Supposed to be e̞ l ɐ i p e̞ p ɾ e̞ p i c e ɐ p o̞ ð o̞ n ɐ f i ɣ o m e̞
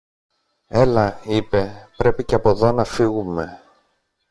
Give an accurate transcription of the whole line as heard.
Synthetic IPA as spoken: e̞ l ɐ i p e̞ p ɾ e̞ p i c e ɐ p o̞ ð o̞ n ɐ f i ɣ u m e̞